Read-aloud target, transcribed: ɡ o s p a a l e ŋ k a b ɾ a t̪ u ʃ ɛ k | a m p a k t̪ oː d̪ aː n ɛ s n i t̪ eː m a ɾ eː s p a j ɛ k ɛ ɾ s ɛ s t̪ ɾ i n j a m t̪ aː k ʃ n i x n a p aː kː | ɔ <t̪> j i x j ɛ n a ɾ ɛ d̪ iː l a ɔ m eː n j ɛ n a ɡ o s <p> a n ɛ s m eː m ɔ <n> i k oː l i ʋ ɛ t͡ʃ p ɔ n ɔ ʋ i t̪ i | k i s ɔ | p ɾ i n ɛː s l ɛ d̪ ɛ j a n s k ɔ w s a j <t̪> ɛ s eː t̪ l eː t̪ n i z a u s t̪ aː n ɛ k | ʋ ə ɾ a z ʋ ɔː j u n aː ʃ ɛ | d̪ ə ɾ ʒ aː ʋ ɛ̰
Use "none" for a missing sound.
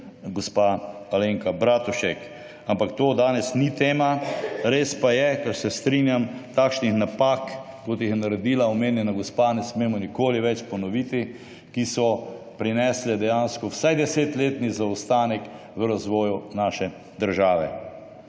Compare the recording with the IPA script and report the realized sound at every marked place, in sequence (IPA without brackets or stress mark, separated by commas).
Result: t̪, p, n, d̪